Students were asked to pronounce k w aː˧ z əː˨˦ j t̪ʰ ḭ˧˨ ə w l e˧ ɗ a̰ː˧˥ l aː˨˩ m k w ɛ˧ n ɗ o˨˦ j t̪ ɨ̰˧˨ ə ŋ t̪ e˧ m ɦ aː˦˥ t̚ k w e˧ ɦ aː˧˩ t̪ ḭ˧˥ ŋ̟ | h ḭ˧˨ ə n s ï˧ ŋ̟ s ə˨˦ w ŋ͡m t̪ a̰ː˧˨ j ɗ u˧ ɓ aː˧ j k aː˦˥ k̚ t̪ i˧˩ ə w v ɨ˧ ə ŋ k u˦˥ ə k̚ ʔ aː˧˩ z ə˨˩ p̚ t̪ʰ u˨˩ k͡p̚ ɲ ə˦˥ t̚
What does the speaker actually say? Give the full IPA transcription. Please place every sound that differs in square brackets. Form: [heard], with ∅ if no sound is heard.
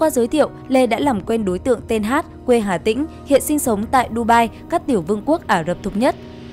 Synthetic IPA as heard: k w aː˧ z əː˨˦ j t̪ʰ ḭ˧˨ ə w l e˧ ɗ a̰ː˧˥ l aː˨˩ m k w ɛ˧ n ɗ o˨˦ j t̪ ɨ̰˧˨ ə ŋ t̪ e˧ [n] ɦ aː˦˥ t̚ k w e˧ ɦ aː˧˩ t̪ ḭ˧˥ ŋ̟ | h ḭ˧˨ ə n s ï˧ ŋ̟ s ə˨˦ w ŋ͡m t̪ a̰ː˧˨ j ɗ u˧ ɓ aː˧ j k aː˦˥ k̚ t̪ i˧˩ ə w v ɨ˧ ə ŋ k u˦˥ ə k̚ ʔ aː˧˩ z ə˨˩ p̚ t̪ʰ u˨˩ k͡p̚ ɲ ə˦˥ t̚